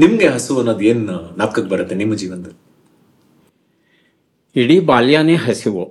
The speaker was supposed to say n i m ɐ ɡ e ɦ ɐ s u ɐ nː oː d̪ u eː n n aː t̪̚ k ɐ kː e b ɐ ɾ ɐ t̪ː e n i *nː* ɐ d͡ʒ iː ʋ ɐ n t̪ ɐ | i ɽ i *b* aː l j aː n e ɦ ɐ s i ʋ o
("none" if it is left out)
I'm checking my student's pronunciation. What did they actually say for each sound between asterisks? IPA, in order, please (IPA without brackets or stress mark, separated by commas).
mː, b